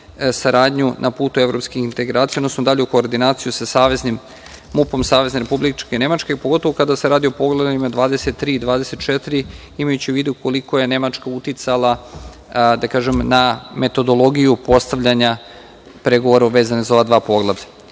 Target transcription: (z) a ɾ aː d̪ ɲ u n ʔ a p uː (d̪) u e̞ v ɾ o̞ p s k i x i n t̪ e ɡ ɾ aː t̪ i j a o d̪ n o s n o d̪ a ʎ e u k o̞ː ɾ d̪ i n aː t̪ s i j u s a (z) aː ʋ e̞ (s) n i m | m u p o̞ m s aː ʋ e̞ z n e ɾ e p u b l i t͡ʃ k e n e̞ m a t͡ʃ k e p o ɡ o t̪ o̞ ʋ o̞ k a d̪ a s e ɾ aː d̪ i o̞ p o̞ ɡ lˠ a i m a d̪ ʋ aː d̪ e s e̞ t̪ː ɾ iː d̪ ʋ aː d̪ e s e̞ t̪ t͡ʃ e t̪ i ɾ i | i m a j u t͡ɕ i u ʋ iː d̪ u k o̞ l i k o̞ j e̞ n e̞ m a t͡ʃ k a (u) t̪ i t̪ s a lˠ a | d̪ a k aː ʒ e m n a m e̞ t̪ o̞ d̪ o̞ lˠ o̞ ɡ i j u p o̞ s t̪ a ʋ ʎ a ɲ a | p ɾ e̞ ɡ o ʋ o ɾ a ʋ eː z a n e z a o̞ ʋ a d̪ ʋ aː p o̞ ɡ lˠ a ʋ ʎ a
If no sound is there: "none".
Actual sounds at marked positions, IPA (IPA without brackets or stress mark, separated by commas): s, t̪, s, z, u